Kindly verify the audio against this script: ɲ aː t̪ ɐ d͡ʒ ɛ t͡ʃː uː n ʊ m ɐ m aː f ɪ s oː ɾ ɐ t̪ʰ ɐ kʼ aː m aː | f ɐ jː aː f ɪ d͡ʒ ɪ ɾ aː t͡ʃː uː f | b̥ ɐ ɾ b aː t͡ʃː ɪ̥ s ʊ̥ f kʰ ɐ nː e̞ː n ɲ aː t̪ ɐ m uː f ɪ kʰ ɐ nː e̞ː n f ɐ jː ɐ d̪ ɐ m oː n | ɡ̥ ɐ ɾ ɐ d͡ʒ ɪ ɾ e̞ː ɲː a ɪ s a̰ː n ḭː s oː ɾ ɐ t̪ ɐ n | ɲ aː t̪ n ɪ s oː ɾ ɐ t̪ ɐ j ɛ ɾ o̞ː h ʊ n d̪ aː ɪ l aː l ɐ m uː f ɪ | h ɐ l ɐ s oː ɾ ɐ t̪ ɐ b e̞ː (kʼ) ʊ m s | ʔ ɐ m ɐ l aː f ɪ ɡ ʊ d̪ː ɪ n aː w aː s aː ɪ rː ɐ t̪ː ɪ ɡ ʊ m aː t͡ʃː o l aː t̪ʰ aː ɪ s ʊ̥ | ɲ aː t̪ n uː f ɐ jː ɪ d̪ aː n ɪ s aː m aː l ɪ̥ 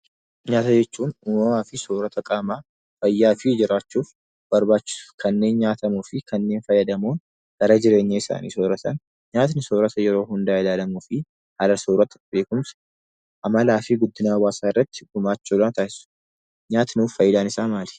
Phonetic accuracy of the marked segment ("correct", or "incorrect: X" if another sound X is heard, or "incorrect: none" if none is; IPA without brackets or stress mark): incorrect: k